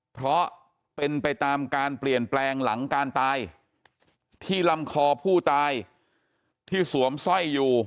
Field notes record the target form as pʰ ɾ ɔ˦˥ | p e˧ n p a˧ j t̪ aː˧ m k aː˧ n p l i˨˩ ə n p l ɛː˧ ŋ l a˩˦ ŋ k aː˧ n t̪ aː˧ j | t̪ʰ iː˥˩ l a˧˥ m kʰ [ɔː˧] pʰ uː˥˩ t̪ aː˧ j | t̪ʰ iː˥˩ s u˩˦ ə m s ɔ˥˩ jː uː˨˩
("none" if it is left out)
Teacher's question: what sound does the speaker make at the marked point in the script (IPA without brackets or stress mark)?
ɔː˧